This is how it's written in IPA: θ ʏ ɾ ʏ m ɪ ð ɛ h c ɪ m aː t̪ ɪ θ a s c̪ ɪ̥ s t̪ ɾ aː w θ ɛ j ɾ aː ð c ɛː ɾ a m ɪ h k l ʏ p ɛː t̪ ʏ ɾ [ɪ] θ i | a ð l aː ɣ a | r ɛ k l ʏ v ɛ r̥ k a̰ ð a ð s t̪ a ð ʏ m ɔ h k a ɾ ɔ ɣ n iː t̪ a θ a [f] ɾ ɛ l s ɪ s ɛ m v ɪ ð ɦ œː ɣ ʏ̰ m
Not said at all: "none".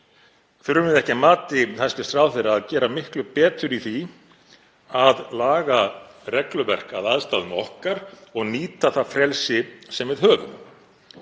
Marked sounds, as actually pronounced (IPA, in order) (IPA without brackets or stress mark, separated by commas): i, f